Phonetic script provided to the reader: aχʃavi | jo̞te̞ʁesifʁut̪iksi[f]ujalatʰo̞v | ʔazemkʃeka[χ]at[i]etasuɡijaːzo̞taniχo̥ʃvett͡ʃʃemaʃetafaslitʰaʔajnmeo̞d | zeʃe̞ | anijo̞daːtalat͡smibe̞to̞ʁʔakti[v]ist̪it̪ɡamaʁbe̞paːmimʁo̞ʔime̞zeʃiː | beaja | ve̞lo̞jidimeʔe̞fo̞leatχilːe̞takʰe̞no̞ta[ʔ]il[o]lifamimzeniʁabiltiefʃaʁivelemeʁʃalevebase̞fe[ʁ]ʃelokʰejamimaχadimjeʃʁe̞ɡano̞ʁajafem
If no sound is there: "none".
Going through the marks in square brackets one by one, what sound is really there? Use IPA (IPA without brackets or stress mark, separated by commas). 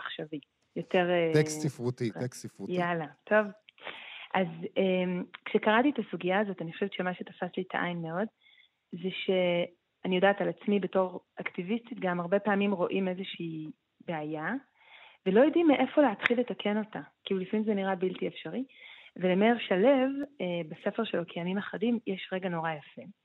f, ʁ, i, v, k, u, ʁ